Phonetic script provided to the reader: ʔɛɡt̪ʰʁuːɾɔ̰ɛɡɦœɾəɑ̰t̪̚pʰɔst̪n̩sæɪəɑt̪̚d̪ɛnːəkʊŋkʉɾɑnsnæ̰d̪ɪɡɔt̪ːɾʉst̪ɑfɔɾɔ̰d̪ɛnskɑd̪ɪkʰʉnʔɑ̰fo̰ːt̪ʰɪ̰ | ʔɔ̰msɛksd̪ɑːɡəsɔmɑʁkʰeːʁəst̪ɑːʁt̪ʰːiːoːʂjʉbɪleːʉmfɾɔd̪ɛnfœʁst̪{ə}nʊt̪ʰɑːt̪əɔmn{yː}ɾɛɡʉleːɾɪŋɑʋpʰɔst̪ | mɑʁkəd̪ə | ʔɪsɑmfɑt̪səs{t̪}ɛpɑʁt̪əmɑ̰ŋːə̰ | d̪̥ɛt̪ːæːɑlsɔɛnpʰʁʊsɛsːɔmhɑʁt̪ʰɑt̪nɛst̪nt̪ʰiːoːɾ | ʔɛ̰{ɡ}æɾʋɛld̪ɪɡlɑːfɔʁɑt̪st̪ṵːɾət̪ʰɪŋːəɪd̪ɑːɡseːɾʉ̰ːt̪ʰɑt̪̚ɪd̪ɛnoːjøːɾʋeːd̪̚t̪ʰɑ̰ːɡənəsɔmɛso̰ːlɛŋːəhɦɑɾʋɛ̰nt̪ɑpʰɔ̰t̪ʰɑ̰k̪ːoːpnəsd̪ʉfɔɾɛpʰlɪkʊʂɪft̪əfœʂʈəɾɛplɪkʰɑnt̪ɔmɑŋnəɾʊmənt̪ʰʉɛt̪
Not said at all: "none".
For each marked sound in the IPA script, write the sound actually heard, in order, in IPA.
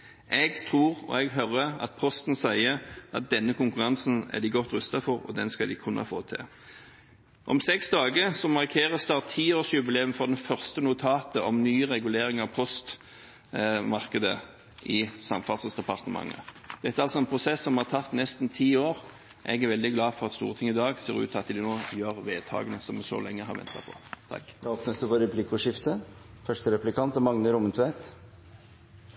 ə, yː, d̪, ɡ

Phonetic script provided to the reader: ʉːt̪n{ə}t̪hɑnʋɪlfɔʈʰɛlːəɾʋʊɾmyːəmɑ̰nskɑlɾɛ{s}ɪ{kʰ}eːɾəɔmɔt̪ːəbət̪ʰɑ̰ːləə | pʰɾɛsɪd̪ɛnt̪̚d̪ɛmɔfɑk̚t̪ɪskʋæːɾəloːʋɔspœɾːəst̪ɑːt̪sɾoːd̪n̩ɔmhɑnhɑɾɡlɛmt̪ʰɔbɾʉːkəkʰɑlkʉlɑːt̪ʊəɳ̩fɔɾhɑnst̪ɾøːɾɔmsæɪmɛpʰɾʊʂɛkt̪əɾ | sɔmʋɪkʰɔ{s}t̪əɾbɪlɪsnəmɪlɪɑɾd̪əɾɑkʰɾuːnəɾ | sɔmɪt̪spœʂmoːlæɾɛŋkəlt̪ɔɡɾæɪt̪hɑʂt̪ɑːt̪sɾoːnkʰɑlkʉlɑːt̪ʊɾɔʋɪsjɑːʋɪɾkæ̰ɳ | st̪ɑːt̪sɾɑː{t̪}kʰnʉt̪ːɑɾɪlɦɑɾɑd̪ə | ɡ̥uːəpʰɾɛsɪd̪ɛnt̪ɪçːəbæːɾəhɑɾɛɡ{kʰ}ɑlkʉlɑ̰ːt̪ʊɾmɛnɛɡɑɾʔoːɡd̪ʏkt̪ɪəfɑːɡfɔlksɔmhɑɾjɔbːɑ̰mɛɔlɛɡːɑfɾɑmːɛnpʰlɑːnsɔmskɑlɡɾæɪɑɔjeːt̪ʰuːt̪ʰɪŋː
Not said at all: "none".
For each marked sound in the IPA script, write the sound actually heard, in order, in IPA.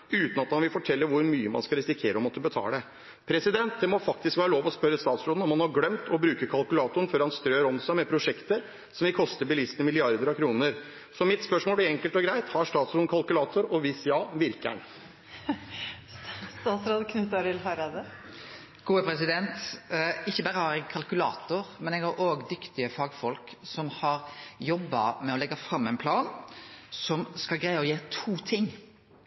ɑ, s, kʰ, s, d̪, kʰ

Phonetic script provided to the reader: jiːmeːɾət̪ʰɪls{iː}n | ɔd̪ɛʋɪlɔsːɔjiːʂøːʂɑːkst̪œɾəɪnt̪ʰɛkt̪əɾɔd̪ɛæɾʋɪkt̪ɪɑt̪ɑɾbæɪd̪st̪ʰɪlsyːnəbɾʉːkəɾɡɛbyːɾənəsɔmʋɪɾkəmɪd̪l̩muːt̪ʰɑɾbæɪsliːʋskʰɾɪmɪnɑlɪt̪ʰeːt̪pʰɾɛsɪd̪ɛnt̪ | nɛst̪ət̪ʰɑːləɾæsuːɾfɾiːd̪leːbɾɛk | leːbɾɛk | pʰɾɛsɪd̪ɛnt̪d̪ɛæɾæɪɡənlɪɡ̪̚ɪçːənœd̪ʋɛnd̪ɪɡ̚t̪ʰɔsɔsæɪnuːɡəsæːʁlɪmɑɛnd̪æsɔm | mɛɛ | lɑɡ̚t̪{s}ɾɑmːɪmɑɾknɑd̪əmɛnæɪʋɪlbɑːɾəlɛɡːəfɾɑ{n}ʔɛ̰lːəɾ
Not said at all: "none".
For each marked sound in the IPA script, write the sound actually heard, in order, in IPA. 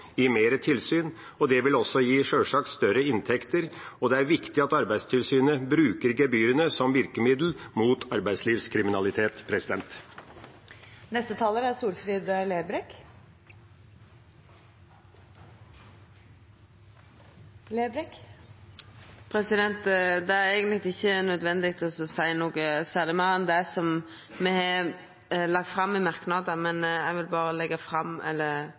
yː, f, m

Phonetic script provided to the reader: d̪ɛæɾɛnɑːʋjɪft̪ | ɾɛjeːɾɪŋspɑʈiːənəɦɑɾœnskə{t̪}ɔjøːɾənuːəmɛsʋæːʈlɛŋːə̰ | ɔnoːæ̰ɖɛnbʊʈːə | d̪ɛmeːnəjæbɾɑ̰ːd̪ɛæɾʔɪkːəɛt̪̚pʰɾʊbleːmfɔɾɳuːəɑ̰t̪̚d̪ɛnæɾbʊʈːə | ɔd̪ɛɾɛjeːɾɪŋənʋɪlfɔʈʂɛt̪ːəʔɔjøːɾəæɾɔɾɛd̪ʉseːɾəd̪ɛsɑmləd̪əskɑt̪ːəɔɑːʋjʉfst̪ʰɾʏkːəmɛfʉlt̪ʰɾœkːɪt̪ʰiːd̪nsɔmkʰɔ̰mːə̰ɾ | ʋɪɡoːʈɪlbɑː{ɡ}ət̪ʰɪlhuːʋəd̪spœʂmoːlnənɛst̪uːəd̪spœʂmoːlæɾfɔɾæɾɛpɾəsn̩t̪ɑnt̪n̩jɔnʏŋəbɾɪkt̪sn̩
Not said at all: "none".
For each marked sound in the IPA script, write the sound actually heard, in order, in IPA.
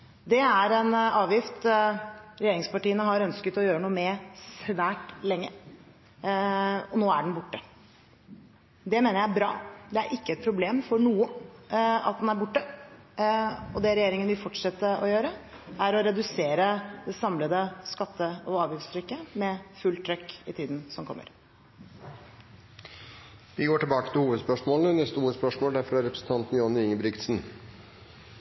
t̪, k

